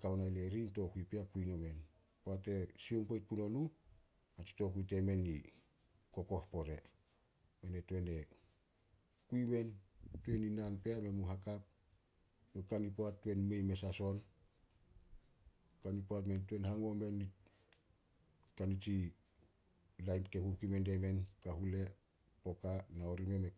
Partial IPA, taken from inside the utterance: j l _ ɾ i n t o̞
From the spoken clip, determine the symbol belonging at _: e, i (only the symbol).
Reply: e